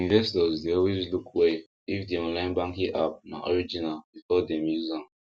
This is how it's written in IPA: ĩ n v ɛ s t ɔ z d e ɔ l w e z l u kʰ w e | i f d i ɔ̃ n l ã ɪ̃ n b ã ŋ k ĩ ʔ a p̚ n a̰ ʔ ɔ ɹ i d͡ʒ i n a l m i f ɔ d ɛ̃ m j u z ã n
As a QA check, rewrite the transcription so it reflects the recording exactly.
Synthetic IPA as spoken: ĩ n v ɛ s t ɔ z d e ɔ l w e z l u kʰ w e | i f d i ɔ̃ n l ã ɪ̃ n b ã ŋ k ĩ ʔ a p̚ n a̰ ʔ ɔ ɹ i d͡ʒ i n a l b i f ɔ d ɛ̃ m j u z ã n

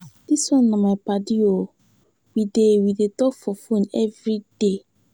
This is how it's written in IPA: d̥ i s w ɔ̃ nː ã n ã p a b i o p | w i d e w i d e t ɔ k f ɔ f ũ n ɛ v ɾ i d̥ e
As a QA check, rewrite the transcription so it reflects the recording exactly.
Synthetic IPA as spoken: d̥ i s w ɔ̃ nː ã m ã p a d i o | w i d e w i d e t ɔ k f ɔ f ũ n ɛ v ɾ i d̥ e

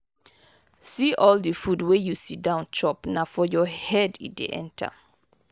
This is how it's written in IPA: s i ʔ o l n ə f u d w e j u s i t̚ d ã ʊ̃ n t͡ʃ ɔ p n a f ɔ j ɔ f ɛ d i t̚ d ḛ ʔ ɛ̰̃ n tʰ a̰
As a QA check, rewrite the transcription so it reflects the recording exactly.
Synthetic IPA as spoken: s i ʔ ɔ l d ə f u d w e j u s i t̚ d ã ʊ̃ n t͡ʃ ɔ p n a f ɔ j ɔ h ɛ d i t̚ d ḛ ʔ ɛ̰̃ n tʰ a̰

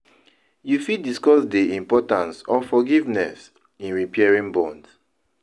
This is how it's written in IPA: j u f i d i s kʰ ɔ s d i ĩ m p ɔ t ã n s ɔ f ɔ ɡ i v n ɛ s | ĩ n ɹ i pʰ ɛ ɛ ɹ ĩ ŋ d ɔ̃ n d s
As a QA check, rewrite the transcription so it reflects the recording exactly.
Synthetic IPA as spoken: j u f i d i s k ɔ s d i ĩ m p ɔ t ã n s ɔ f ɔ ɡ i v n ɛ s | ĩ n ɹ i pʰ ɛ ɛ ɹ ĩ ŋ b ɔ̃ n d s

